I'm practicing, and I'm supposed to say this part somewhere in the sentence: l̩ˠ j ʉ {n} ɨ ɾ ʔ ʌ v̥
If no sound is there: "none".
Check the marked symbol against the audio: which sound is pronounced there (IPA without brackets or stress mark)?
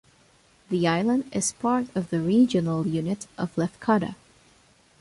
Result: n